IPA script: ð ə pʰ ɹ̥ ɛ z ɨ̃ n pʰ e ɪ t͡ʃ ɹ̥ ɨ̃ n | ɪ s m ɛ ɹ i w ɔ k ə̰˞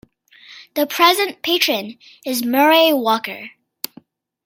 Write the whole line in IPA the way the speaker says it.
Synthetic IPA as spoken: ð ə pʰ ɹ̥ ɛ z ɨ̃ n pʰ e ɪ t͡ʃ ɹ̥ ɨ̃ n | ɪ z m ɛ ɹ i w ɔ k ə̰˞